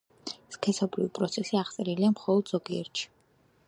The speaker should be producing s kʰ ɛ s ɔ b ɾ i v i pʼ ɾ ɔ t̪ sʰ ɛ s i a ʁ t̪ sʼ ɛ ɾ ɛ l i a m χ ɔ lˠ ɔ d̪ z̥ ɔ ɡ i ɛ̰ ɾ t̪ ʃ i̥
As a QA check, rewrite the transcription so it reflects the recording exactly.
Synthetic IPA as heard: s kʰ ɛ s ɔ b ɾ i v i pʼ ɾ ɔ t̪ sʰ ɛ s i a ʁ t̪ sʼ ɛ ɾ i l i a m χ ɔ lˠ ɔ d̪ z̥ ɔ ɡ i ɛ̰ ɾ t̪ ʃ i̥